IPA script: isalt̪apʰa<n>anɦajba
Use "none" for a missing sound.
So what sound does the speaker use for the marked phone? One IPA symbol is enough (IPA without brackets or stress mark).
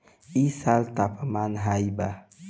m